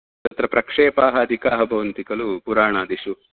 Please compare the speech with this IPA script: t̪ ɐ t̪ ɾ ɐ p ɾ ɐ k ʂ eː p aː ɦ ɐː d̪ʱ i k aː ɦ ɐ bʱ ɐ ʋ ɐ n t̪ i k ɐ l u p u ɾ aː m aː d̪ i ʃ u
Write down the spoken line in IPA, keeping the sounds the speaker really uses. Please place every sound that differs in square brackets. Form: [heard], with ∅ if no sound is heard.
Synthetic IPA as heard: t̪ ɐ t̪ ɾ ɐ p ɾ ɐ k ʂ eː p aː ɦ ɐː d̪ʱ i k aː ɦ ɐ bʱ ɐ ʋ ɐ n t̪ i k ɐ l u p u ɾ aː [ɳ] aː d̪ i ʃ u